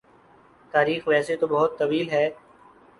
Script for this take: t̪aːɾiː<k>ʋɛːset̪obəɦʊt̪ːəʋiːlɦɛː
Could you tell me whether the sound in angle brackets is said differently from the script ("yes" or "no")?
yes